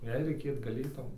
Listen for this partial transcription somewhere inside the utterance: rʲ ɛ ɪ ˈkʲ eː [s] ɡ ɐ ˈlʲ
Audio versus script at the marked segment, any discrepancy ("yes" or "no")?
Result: yes